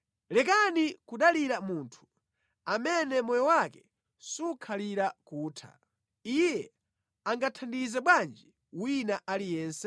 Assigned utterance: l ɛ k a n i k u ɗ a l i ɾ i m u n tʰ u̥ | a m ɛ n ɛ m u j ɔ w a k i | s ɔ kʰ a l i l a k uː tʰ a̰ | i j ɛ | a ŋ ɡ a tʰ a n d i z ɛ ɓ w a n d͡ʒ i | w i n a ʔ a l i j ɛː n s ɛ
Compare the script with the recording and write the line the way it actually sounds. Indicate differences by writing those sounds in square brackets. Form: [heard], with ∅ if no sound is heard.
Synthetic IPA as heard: l ɛ k a n i k u ɗ a l i ɾ [a] m u n tʰ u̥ | a m ɛ n ɛ m [ɔ] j ɔ w a k [ɛ] | s [u] kʰ a l i [ɾ] a k uː tʰ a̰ | i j ɛ | a ŋ ɡ a tʰ a n d i z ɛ ɓ w a n d͡ʒ i | w i n a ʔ a l i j ɛː n s ɛ